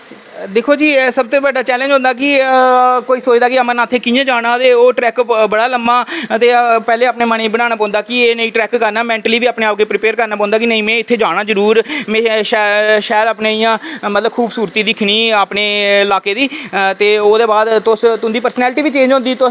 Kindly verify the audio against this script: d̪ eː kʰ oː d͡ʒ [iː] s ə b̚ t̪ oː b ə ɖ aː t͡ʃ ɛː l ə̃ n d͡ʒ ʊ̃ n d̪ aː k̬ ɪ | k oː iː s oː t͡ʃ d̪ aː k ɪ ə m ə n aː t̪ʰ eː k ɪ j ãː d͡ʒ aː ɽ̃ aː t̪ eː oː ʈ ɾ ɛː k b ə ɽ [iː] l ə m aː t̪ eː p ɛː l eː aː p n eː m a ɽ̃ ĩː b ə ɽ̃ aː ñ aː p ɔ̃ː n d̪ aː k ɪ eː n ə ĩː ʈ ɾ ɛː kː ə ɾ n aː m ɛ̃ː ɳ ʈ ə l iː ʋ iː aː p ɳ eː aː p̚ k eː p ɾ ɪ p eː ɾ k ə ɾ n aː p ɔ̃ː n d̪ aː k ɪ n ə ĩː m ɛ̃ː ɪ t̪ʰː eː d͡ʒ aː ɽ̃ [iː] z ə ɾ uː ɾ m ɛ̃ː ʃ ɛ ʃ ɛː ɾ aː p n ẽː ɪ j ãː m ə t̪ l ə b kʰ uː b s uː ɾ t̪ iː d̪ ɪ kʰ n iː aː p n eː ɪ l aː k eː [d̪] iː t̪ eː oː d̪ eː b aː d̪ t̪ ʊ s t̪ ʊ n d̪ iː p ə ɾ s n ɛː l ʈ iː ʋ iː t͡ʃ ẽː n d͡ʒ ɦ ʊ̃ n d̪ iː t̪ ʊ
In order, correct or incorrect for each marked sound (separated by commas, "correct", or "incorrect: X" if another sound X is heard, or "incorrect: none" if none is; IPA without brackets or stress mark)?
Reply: correct, incorrect: aː, incorrect: aː, correct